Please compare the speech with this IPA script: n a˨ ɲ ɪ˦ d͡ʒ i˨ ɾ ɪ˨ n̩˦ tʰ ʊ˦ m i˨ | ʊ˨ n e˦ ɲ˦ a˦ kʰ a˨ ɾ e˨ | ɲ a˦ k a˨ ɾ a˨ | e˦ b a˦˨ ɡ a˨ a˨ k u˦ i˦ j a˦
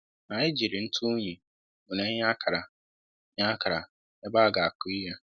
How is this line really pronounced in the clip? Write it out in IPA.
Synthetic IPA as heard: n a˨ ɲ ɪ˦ d͡ʒ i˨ ɾ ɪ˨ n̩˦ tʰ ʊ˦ ɲ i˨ | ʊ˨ n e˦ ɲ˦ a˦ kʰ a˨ ɾ a˨ | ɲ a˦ k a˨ ɾ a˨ | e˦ b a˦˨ ɡ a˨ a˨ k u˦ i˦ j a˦